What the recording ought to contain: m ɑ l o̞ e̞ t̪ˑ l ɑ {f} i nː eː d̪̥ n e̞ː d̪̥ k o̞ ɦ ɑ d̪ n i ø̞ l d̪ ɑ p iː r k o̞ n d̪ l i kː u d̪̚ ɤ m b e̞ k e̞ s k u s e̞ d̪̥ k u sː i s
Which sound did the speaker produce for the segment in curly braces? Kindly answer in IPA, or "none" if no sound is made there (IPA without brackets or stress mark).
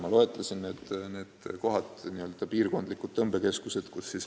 s